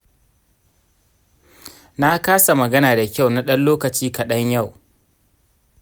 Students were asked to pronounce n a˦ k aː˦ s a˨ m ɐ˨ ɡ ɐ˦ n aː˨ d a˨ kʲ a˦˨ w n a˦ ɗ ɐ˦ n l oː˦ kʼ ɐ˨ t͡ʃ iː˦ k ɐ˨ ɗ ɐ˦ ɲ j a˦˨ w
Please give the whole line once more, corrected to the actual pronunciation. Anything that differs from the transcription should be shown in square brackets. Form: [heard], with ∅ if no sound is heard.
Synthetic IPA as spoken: n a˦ k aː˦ s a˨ m ɐ˨ ɡ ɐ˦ n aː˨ d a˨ kʲ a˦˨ w n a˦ ɗ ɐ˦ n l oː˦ [k] ɐ˨ t͡ʃ iː˦ k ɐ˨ ɗ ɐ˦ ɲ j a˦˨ w